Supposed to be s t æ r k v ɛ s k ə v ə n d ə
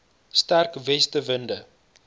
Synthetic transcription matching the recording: s t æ r k v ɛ s t ə v ə n d ə